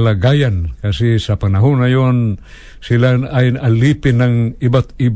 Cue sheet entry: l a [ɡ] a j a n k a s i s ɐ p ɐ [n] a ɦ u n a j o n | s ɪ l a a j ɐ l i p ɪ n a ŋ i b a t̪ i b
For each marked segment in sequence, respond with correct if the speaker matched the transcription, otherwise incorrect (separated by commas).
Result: correct, correct